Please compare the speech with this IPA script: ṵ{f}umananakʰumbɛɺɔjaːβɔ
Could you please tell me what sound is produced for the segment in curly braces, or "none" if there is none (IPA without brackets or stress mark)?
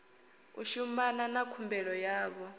ʃ